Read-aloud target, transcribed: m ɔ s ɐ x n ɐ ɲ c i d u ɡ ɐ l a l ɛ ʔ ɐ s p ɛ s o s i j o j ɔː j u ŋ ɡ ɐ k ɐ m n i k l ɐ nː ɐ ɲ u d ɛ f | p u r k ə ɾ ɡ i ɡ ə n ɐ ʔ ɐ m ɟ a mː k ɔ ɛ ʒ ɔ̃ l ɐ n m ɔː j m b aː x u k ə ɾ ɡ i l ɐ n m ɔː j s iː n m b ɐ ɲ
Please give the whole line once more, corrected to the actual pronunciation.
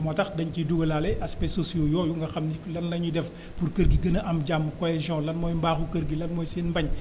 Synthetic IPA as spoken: m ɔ t ɐ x d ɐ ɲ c i d u ɡ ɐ l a l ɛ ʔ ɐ s p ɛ s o s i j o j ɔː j u ŋ ɡ ɐ x ɐ m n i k l ɐ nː ɐ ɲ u d ɛ f | p u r k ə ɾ ɡ i ɡ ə n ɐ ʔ ɐ m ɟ a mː k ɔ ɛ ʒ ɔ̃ l ɐ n m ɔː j m b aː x u k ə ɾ ɡ i l ɐ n m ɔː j s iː n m b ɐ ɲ

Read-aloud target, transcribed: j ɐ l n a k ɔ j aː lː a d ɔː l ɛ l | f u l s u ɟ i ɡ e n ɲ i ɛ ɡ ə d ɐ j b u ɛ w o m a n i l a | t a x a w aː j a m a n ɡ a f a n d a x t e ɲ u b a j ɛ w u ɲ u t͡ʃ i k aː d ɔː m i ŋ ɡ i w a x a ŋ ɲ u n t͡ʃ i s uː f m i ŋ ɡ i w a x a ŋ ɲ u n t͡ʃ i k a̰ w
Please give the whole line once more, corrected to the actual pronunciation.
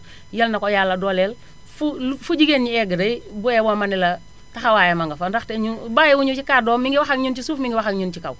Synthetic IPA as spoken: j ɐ l n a k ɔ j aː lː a d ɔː l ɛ l | f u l f u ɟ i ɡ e n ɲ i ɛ ɡ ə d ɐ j b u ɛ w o m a n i l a | t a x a w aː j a m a ŋ ɡ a f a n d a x t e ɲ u b a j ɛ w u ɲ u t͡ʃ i k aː d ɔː m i ŋ ɡ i w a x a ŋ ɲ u n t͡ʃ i s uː f m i ŋ ɡ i w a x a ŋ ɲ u n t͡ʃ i k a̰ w

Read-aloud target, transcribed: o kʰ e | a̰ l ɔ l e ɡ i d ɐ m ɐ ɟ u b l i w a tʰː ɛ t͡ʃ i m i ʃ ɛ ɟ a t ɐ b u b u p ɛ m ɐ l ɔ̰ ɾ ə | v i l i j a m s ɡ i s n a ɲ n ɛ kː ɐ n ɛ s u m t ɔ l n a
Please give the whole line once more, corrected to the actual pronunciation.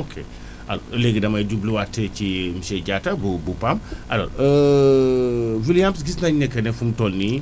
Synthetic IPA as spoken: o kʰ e | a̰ l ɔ l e ɡ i d ɐ m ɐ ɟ u b l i w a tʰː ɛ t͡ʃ i m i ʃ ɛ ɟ a t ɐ b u b u p a m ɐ l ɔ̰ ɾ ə | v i l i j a m s ɡ i s n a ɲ n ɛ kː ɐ n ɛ f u m t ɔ l n i

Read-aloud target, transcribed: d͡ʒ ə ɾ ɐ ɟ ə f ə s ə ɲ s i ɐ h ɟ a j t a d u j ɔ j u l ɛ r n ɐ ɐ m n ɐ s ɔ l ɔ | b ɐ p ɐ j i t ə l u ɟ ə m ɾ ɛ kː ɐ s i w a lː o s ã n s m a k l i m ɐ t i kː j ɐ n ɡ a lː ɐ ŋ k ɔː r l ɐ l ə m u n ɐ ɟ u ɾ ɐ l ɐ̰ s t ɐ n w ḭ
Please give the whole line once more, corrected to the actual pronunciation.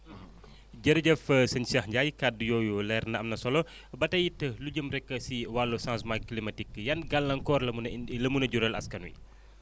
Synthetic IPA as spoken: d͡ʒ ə ɾ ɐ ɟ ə f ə s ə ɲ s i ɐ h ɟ a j k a d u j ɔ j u l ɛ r n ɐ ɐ m n ɐ s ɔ l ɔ | b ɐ t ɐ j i t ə l u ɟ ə m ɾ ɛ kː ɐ s i w a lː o s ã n s m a k l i m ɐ t i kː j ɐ n ɡ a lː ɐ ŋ k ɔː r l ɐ l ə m u n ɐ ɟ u ɾ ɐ l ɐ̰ s k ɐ n w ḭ

